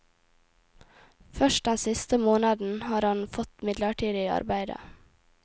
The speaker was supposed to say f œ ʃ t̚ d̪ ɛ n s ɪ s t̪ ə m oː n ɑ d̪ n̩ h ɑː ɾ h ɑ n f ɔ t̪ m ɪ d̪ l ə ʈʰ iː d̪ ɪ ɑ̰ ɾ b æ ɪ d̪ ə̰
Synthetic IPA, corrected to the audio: f œ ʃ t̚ d̪ ɛ n s ɪ s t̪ ə m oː n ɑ d̪ n̩ h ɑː ɾ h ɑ n f ɔ t̪ m ɪ d̪ l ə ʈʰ iː d̪ ɪ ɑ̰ ɾ b æ ɪ d̪ ə̰